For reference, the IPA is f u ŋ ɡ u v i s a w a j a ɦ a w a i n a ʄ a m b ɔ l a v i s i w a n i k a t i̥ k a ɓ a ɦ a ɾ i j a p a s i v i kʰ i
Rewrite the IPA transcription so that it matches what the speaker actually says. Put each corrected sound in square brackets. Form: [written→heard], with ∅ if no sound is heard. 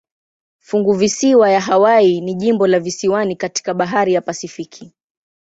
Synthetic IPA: f u ŋ ɡ u v i s [a→i] w a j a ɦ a w a i n [a→i] ʄ [a→i] m b ɔ l a v i s i w a n i k a t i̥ k a ɓ a ɦ a ɾ i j a p a s i [v→f] i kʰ i